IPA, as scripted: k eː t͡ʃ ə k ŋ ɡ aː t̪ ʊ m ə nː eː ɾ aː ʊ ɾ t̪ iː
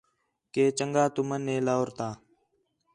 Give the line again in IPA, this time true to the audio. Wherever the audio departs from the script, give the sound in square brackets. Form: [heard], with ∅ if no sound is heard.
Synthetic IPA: k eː t͡ʃ ə [∅] ŋ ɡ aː t̪ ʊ m ə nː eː [l] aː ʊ ɾ t̪ [aː]